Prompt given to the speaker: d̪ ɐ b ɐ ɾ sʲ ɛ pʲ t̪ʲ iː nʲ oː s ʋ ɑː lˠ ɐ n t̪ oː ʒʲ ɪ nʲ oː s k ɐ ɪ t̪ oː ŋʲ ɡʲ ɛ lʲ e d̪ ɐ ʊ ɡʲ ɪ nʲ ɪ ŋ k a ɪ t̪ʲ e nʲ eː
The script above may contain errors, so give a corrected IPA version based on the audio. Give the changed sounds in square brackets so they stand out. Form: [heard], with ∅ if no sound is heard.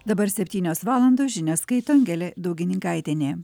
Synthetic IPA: d̪ ɐ b ɐ ɾ sʲ ɛ pʲ t̪ʲ iː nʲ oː s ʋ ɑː lˠ ɐ n [d̪] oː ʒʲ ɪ nʲ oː s k ɐ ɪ t̪ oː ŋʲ ɡʲ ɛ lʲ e d̪ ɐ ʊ ɡʲ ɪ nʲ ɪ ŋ k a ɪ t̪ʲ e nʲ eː